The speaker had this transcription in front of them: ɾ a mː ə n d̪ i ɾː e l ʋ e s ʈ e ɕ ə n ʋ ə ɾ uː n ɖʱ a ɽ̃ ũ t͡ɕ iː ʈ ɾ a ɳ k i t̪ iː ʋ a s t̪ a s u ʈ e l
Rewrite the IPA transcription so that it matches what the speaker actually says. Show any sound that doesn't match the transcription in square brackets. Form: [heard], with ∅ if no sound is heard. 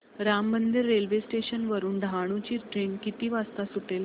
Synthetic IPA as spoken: ɾ a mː ə n d̪ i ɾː e l ʋ e s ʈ e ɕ ə n ʋ ə ɾ uː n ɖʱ a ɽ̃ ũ t͡ɕ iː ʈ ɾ [e] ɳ k i t̪ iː ʋ a s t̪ a s u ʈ e l